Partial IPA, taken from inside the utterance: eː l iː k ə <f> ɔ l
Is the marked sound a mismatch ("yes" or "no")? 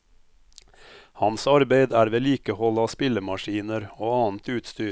yes